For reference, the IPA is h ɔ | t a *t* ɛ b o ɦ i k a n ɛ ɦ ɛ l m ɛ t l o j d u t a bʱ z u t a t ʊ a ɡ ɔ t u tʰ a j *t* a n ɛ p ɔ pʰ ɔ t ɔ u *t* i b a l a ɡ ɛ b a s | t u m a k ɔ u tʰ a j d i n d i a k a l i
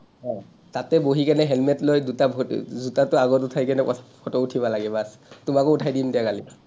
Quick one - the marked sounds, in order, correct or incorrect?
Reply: correct, incorrect: k, incorrect: tʰ

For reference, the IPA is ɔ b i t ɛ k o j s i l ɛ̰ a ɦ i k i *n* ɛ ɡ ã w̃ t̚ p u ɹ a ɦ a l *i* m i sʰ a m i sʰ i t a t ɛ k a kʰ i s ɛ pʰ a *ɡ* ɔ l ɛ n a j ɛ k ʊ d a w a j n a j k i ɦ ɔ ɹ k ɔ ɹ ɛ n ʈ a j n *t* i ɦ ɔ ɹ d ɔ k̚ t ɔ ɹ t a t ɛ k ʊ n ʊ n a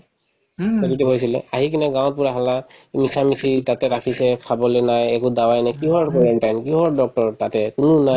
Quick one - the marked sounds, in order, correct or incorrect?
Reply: correct, incorrect: a, incorrect: b, incorrect: k

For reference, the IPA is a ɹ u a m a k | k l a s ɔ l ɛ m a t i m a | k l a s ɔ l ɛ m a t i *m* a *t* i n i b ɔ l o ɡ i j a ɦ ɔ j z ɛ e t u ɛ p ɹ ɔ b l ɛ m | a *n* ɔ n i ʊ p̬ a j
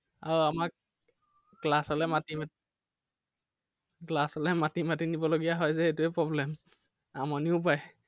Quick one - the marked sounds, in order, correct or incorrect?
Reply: correct, correct, incorrect: m

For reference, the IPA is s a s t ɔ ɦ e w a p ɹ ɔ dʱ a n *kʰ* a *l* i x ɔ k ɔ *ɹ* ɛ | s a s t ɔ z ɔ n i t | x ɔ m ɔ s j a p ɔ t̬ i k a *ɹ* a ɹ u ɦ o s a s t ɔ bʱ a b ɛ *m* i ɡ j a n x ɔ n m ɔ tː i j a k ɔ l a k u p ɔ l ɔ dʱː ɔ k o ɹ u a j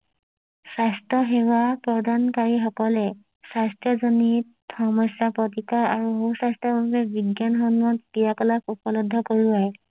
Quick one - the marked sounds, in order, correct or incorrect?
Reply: incorrect: k, incorrect: ɹ, incorrect: l, correct, incorrect: b

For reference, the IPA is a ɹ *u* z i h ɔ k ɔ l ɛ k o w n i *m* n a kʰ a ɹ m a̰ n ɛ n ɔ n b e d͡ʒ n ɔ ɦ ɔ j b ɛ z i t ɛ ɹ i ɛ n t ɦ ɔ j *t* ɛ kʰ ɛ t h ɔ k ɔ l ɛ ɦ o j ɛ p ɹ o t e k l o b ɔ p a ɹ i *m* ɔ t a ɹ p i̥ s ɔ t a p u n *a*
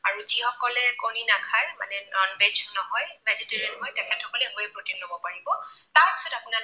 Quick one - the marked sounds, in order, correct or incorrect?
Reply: correct, incorrect: none, correct, incorrect: b, correct

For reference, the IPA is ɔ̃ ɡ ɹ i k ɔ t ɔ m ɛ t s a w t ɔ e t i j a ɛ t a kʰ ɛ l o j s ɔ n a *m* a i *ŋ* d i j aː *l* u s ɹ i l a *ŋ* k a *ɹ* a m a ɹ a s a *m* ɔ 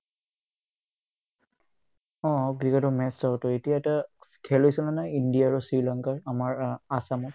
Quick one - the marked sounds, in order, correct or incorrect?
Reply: incorrect: n, incorrect: n, incorrect: ɹ, correct, correct, correct

